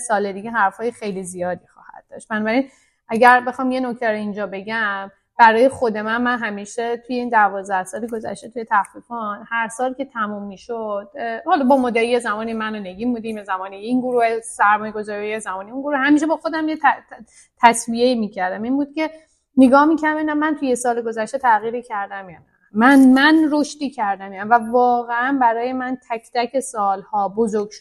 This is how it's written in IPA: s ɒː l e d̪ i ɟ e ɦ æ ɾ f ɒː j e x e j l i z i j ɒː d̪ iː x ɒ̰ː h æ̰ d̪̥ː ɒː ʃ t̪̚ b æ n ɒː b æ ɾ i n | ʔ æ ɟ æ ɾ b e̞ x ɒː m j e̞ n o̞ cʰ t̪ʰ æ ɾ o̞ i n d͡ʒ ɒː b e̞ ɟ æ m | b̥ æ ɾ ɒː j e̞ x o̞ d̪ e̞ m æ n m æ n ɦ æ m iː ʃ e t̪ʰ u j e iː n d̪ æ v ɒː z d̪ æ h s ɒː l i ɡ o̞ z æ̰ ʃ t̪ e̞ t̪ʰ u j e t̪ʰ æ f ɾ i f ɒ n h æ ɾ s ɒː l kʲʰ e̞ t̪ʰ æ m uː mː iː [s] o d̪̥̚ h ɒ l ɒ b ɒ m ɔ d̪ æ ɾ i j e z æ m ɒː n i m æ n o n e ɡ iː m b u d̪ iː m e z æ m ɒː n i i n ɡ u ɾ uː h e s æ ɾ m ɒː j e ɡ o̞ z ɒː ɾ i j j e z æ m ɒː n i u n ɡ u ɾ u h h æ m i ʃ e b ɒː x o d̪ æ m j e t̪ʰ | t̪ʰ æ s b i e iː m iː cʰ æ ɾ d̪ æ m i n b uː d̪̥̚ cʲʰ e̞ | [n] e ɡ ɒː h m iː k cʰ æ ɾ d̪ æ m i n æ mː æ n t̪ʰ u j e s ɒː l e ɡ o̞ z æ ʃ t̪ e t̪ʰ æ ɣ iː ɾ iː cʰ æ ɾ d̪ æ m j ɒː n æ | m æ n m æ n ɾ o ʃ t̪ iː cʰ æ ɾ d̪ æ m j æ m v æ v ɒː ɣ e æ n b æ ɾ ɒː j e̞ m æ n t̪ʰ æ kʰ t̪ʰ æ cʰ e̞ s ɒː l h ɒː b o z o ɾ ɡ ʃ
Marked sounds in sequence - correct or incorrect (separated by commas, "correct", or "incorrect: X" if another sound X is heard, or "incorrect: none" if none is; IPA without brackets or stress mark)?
incorrect: ʃ, correct